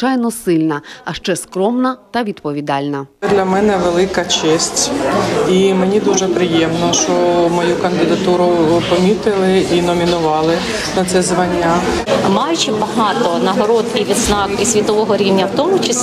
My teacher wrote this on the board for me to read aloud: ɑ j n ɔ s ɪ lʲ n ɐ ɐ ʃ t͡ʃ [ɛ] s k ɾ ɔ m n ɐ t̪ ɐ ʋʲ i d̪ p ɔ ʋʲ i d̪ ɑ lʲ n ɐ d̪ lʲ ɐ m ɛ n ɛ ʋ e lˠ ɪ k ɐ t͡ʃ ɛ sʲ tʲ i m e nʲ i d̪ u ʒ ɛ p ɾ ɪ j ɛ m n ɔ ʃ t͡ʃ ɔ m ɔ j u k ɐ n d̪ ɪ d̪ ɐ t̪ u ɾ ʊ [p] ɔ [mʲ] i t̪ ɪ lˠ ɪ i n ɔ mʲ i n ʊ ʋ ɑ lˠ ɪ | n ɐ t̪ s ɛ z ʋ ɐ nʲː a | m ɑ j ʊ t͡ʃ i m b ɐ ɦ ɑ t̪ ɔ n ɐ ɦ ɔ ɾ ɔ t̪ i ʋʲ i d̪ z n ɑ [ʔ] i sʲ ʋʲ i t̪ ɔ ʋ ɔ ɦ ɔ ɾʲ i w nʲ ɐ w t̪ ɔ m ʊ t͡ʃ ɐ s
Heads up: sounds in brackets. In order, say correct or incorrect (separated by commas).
correct, correct, correct, incorrect